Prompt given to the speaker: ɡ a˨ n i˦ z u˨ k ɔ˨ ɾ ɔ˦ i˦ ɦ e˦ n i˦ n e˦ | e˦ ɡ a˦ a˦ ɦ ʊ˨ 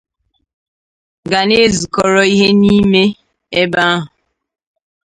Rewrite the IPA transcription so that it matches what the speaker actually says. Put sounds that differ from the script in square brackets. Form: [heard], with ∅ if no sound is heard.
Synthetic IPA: ɡ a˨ n [e˦] z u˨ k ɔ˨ ɾ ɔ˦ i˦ ɦ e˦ n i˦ [m] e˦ | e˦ [b] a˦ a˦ ɦ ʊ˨